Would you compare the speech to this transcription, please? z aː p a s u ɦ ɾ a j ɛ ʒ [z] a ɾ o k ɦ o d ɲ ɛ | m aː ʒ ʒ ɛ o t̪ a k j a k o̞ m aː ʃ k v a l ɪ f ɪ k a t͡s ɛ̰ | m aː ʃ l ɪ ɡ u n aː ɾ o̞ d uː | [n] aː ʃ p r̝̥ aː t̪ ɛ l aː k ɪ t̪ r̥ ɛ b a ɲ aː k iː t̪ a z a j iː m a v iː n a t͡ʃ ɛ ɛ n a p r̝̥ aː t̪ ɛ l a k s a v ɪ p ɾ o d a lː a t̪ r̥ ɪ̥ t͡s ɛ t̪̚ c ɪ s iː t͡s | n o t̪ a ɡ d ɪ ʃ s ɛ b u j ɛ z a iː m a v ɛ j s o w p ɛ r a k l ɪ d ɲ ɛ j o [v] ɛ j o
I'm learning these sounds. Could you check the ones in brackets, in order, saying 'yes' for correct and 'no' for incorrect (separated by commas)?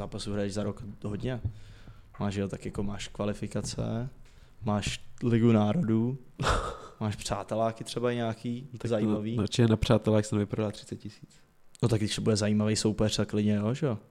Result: yes, no, no